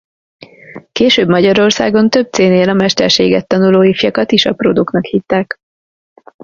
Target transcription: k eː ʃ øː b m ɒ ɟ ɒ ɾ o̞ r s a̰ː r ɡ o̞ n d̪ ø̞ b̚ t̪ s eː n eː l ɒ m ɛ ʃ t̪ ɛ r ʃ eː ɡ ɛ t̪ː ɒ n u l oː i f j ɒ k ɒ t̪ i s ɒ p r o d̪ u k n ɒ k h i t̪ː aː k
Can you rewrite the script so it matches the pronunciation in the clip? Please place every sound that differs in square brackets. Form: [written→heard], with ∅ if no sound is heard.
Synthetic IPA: k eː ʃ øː b m ɒ ɟ ɒ ɾ o̞ r s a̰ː [r→∅] ɡ o̞ n [d̪→t̪] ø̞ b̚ t̪ s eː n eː l ɒ m ɛ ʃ t̪ ɛ r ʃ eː ɡ ɛ t̪ː ɒ n u l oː i f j ɒ k ɒ t̪ i [s→ʃ] ɒ p r o d̪ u k n ɒ k h i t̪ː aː k